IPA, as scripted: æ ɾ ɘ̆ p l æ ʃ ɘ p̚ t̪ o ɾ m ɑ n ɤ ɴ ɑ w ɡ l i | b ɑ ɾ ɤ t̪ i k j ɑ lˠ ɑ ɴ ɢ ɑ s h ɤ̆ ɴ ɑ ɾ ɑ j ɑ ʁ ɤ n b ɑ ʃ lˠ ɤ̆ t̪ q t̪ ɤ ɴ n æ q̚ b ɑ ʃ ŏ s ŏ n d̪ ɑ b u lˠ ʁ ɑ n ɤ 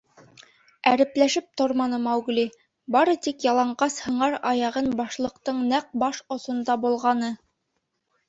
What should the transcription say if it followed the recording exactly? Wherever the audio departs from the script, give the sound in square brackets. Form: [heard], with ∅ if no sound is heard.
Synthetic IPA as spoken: æ ɾ ɘ̆ p l æ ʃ ɘ p̚ t̪ o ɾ m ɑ n ɤ [m] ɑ w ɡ l i | b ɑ ɾ ɤ t̪ i k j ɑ lˠ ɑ ɴ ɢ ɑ s h ɤ̆ ɴ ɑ ɾ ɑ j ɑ ʁ ɤ n b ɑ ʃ lˠ ɤ̆ [∅] q t̪ ɤ ɴ n æ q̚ b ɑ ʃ ŏ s ŏ n d̪ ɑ b u lˠ ʁ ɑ n ɤ